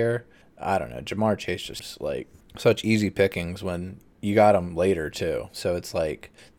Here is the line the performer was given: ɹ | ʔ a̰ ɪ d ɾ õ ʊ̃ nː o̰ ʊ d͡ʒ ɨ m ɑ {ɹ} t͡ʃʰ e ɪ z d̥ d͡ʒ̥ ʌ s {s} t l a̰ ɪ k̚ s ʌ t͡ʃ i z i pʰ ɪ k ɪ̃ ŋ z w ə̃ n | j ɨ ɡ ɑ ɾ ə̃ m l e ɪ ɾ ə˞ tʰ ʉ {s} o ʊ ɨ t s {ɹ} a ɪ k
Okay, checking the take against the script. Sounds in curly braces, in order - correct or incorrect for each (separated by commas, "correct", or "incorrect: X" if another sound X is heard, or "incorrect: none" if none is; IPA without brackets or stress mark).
correct, correct, correct, incorrect: l